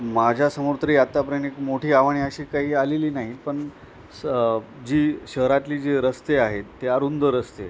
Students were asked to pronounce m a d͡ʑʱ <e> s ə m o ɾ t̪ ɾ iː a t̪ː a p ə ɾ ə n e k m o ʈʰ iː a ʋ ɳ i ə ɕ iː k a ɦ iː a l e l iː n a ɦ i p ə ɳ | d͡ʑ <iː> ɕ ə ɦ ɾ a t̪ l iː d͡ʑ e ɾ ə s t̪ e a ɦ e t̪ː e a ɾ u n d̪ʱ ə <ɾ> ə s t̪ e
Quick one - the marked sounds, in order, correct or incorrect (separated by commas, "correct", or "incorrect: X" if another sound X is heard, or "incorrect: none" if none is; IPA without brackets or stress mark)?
incorrect: a, correct, correct